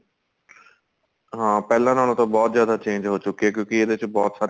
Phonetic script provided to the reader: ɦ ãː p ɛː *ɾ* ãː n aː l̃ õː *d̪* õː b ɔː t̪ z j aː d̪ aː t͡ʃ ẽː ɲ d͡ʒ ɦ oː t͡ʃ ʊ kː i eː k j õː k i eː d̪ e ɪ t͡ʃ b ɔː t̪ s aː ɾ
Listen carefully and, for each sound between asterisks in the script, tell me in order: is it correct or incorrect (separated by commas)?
incorrect, incorrect